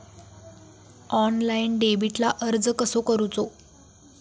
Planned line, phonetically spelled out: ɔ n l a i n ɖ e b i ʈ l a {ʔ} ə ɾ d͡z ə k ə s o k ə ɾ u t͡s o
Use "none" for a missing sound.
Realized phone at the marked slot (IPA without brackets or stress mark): ʔ